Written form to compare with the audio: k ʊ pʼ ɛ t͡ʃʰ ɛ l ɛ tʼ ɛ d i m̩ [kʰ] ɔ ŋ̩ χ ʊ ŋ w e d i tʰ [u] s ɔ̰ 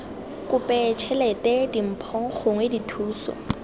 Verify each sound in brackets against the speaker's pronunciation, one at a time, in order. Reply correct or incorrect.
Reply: incorrect: pʰ, incorrect: uː

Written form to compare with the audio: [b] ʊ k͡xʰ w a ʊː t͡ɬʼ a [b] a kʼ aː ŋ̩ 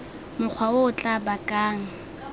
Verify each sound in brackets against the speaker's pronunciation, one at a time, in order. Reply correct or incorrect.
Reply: incorrect: m, correct

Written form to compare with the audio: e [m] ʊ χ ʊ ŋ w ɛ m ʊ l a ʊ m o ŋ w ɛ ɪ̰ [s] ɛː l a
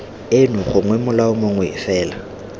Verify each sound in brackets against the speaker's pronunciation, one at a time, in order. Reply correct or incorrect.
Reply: incorrect: n, incorrect: f

